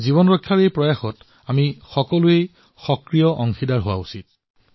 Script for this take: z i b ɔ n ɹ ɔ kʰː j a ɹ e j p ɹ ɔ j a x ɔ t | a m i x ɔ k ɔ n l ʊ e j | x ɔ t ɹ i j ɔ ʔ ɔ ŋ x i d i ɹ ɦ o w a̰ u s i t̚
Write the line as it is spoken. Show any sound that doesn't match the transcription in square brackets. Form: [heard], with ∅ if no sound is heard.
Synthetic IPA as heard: z i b ɔ n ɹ ɔ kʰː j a ɹ e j p ɹ ɔ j a x ɔ t | a m i x ɔ k ɔ [∅] l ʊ e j | x ɔ [k] ɹ i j ɔ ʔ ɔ ŋ x i d [a] ɹ ɦ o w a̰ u s i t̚